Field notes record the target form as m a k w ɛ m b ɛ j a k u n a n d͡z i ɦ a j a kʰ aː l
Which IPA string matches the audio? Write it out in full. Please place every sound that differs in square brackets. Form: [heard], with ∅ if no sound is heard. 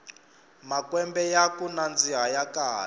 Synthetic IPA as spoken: m a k w ɛ m b ɛ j a k u n a n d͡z i ɦ a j a [k] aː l